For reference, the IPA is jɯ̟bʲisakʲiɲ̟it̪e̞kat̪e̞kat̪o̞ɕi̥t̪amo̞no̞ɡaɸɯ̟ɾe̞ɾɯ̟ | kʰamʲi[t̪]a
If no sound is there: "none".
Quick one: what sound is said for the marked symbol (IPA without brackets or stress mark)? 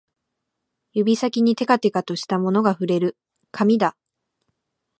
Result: d̪